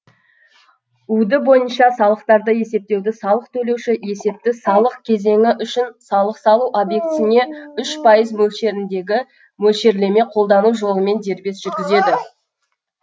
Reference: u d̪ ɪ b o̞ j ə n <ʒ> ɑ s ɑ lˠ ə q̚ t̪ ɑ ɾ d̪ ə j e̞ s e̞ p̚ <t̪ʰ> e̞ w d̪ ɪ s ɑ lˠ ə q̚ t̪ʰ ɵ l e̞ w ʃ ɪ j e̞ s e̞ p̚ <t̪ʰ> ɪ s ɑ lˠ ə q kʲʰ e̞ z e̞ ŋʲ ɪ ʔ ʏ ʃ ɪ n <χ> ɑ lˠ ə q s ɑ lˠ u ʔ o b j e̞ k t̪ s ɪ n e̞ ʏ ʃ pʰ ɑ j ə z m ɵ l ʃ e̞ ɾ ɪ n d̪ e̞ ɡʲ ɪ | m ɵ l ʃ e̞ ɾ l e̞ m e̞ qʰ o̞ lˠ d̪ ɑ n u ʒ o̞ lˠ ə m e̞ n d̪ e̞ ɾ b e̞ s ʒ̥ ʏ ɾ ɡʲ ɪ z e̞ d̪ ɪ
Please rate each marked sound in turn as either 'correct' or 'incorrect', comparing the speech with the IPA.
incorrect: ʃ, incorrect: t̪, incorrect: t̪, incorrect: s

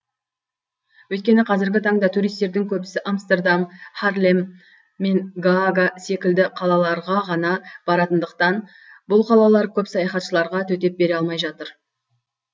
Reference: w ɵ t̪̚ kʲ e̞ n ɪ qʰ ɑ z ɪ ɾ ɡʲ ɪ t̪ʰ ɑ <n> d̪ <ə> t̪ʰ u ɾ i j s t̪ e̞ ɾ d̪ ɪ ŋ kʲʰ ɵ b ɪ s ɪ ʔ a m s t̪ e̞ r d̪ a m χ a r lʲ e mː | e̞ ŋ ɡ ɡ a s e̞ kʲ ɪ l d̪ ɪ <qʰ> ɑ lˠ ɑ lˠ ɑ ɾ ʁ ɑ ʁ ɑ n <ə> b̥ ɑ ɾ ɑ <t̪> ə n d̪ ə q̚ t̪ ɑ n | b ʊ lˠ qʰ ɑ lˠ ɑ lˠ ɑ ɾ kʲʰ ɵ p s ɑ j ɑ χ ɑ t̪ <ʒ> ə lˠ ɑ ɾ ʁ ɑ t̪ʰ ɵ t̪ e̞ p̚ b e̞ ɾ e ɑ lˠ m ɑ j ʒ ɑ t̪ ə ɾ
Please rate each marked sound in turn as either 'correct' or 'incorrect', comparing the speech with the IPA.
incorrect: ɴ, incorrect: ɑ, correct, incorrect: ɑ, correct, incorrect: ʃ

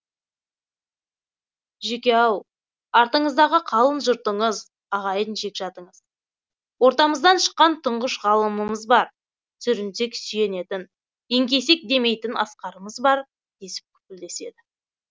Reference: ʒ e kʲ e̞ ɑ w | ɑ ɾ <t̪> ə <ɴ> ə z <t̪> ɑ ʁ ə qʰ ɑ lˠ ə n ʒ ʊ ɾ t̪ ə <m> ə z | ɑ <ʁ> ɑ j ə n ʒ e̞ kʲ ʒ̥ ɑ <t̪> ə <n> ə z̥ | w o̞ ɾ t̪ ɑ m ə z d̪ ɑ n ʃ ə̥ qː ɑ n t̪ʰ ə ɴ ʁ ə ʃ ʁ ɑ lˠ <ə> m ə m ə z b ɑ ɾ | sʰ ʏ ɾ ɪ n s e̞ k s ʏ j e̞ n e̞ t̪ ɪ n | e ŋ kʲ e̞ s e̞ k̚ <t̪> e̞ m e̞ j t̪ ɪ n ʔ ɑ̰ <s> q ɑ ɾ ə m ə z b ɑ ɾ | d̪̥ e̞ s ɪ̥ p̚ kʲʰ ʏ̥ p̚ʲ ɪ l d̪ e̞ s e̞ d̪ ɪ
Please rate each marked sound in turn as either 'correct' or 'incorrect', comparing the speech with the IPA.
correct, correct, incorrect: d̪, incorrect: ɴ, correct, correct, incorrect: ɴ, correct, incorrect: d̪, correct

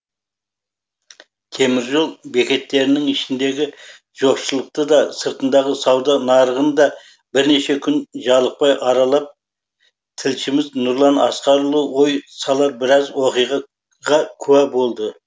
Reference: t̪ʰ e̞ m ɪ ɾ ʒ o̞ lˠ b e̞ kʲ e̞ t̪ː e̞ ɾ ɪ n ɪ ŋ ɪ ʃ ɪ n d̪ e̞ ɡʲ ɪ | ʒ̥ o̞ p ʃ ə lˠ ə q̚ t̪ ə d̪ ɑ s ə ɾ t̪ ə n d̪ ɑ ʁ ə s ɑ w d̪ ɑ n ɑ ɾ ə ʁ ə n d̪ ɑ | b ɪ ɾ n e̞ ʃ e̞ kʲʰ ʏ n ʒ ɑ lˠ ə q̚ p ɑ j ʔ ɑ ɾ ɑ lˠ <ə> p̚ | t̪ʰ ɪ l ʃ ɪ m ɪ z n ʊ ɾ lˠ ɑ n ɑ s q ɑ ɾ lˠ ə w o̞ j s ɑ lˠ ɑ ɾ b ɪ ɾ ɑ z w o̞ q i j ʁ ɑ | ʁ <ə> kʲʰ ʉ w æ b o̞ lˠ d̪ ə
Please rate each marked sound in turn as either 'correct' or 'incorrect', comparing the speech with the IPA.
incorrect: ɑ, incorrect: ɑ

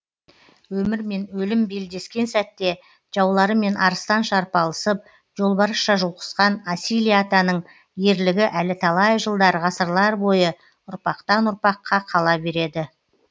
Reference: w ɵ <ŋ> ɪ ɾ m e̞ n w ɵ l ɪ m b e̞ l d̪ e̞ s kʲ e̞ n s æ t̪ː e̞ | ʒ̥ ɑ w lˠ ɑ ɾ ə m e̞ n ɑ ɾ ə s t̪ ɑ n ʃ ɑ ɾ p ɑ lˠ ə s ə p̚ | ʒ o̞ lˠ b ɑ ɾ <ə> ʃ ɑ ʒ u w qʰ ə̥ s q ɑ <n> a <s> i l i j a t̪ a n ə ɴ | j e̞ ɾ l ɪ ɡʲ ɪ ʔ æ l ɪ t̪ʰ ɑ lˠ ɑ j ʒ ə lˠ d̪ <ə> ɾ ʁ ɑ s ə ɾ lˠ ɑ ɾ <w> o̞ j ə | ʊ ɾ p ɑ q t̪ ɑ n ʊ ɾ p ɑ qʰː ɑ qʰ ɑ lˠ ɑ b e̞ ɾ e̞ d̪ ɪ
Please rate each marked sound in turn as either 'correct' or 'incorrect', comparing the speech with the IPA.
incorrect: m, correct, correct, correct, incorrect: ɑ, incorrect: b

